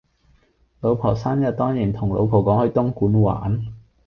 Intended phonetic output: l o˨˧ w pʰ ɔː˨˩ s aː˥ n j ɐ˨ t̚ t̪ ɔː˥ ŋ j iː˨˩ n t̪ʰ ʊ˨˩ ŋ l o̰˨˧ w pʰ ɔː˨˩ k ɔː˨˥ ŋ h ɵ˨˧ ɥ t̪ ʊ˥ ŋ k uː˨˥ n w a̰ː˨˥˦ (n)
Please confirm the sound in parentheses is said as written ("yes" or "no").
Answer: yes